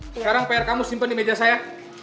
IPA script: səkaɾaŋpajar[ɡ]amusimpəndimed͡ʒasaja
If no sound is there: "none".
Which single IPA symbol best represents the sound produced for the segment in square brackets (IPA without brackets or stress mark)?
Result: k